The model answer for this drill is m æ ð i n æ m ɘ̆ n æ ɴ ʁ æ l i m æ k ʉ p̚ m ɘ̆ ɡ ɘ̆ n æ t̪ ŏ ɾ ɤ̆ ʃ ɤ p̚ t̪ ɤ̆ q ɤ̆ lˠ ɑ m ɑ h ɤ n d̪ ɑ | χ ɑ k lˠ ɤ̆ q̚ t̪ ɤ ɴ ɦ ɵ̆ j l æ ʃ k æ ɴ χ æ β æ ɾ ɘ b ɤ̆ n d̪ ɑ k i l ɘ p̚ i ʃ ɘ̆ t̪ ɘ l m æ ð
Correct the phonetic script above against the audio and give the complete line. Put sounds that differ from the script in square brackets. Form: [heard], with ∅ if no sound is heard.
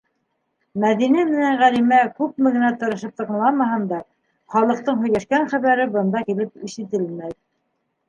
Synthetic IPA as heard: m æ ð i n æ m ɘ̆ n æ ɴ ʁ æ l i m æ k ʉ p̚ m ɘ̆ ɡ ɘ̆ n æ t̪ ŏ ɾ ɤ̆ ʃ ɤ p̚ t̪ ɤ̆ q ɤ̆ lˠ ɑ m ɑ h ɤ n d̪ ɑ | χ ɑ [∅] lˠ ɤ̆ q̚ t̪ ɤ ɴ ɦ ɵ̆ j l æ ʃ k æ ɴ χ æ β æ ɾ ɘ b ɤ̆ n d̪ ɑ k i l ɘ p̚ i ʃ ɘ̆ t̪ ɘ l m æ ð